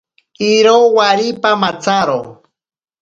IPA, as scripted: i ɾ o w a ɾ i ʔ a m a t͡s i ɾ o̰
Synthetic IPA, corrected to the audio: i ɾ o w a ɾ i p a m a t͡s a ɾ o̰